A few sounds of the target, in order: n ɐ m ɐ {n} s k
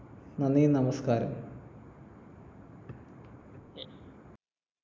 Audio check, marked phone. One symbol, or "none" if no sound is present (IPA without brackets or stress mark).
none